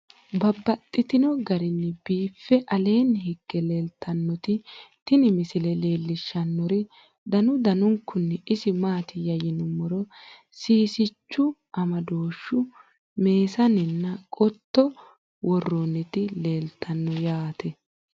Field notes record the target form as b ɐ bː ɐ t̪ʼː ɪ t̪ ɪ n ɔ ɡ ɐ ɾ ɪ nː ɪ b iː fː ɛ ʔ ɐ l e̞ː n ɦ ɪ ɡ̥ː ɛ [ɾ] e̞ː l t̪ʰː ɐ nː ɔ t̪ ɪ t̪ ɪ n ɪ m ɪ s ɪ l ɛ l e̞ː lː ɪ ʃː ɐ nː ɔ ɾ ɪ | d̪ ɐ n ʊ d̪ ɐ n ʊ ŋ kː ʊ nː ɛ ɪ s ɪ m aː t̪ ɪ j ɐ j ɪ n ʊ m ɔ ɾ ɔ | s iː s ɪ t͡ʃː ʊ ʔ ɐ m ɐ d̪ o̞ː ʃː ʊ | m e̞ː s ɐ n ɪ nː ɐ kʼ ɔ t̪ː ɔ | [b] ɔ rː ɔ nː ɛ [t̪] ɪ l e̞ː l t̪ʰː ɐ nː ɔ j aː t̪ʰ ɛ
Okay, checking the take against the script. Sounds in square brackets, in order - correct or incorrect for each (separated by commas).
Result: incorrect, incorrect, correct